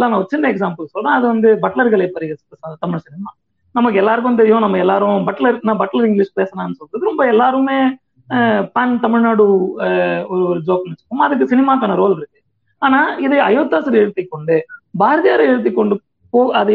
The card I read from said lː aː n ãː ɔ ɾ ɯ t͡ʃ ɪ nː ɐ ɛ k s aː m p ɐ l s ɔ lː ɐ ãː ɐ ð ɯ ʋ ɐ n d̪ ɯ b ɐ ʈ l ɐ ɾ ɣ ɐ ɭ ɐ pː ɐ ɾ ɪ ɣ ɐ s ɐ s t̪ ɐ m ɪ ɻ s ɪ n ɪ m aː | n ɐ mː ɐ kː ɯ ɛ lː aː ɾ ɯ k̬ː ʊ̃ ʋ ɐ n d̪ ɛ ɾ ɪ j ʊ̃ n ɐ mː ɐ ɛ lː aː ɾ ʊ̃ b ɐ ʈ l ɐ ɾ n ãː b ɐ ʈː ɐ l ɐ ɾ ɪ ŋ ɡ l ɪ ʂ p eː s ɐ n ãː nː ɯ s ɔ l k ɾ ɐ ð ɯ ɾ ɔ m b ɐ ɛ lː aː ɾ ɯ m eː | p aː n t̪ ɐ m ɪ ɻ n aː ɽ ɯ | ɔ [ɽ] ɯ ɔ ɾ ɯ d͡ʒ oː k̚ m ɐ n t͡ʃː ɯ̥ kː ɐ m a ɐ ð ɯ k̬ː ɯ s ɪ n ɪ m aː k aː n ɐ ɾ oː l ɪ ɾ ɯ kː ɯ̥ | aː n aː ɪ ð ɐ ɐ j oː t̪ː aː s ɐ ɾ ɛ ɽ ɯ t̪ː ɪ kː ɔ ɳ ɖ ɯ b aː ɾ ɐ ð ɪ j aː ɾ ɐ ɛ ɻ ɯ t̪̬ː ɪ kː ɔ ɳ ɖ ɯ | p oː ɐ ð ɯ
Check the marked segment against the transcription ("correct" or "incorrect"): incorrect